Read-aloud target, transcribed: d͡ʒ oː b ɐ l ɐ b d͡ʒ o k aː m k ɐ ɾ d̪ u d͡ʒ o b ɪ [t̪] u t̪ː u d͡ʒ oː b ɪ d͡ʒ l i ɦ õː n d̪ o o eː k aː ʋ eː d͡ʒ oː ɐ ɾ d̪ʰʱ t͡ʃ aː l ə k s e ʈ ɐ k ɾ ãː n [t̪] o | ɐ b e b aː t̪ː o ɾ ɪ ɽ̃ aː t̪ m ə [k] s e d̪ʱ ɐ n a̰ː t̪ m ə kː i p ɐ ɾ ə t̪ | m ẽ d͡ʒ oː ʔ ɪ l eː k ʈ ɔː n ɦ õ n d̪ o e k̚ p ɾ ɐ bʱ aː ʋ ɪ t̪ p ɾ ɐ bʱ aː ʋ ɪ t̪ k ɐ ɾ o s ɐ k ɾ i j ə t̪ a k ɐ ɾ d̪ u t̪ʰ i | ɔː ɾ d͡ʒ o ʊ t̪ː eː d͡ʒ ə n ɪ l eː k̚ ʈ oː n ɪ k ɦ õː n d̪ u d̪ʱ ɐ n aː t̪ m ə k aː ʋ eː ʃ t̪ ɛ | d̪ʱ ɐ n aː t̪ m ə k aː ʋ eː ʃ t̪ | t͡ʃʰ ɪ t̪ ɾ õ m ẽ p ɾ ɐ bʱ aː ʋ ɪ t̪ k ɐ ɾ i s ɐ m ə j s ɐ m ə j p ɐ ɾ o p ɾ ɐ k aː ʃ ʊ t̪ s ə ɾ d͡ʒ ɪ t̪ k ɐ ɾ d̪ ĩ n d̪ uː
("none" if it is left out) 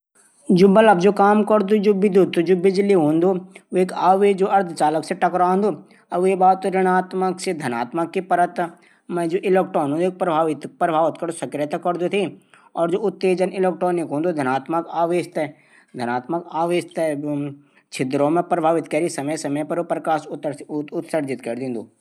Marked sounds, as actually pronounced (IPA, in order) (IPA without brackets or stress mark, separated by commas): d̪, d̪, k